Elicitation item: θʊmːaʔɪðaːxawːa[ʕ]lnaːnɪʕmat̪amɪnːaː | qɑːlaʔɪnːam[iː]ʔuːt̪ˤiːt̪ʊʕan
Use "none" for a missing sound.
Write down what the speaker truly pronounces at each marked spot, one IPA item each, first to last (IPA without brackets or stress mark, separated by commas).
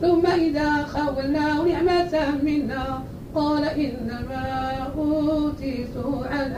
none, aː